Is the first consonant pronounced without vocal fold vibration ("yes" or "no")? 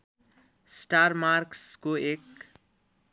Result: yes